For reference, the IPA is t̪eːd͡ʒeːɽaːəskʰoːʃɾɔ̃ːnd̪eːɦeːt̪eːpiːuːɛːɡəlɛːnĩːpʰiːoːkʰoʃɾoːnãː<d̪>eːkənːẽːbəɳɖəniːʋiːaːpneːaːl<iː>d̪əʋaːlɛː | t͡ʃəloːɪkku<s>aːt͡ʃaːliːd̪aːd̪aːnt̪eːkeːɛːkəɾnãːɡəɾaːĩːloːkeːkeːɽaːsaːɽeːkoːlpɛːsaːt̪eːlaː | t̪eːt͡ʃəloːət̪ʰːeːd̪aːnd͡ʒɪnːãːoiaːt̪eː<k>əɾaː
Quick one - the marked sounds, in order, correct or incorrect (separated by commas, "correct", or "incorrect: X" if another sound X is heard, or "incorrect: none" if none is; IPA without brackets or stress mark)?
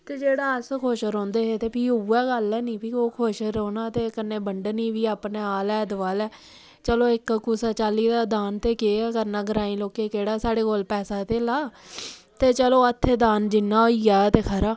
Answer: incorrect: t̪, incorrect: ɛː, correct, incorrect: kʰ